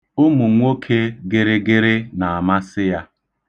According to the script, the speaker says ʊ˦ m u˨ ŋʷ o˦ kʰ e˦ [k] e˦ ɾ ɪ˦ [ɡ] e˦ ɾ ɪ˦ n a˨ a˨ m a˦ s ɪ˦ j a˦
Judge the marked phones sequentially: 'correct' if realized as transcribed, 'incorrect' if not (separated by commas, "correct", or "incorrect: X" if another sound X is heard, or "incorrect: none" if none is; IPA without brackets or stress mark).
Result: incorrect: ɡ, correct